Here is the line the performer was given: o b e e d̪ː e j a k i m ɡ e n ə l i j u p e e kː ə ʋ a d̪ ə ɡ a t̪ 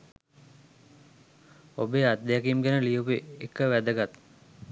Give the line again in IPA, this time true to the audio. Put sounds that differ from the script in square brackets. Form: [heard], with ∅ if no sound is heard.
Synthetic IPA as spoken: o b e [a] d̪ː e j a k i m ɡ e n ə l i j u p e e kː ə ʋ [æ] d̪ ə ɡ a t̪